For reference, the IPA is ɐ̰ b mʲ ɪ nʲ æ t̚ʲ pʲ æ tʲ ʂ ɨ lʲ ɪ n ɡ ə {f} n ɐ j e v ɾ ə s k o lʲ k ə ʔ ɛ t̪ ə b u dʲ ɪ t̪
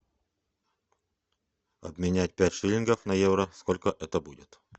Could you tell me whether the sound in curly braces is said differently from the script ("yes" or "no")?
no